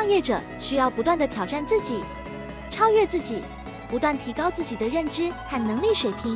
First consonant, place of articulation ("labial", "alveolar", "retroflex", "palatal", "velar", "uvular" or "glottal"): velar